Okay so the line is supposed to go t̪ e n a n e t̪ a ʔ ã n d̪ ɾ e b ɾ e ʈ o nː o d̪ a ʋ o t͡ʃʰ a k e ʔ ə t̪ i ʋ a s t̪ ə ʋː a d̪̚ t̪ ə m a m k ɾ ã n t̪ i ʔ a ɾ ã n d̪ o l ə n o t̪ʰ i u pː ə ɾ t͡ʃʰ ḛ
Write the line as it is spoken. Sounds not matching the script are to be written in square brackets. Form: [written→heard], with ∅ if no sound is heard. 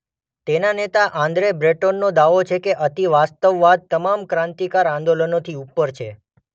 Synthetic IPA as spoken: t̪ e n a n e t̪ a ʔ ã n d̪ ɾ e b ɾ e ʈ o nː o d̪ a ʋ o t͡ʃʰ [a→e] k e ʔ ə t̪ i ʋ a s t̪ ə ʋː a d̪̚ t̪ ə m a m k ɾ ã n t̪ i [ʔ→k] a ɾ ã n d̪ o l ə n o t̪ʰ i u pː ə ɾ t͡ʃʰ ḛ